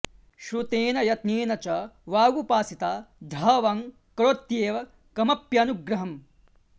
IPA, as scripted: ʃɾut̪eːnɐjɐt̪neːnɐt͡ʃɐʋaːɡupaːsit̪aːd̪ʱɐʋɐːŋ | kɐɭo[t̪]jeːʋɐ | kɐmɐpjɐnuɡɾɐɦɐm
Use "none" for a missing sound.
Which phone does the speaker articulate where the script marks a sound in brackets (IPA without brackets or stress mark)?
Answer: t̪